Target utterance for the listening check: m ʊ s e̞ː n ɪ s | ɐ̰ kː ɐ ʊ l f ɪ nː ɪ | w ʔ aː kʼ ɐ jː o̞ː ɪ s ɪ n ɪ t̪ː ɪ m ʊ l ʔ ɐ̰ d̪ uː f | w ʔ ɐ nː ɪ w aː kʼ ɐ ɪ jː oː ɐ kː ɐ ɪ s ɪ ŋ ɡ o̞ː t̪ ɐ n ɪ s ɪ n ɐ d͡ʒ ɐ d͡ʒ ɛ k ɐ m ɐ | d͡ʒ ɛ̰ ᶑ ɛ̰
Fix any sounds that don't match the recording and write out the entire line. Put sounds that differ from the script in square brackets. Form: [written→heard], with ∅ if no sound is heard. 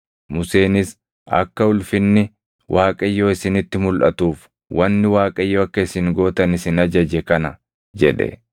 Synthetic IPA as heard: m ʊ s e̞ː n ɪ s | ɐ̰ kː ɐ ʊ l f ɪ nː ɪ | w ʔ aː kʼ ɐ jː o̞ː ɪ s ɪ n ɪ t̪ː ɪ m ʊ l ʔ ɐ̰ [d̪→t̪] uː f | w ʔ ɐ nː ɪ w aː kʼ ɐ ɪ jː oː ɐ kː ɐ ɪ s ɪ ŋ ɡ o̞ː t̪ ɐ n ɪ s ɪ n ɐ d͡ʒ ɐ d͡ʒ ɛ k ɐ [m→n] ɐ | d͡ʒ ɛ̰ ᶑ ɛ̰